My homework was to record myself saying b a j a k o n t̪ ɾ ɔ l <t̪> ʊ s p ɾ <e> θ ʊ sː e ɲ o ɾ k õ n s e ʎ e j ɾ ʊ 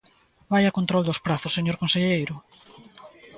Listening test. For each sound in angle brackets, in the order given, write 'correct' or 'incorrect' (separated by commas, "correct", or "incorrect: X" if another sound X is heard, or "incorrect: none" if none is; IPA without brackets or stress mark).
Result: incorrect: d̪, incorrect: a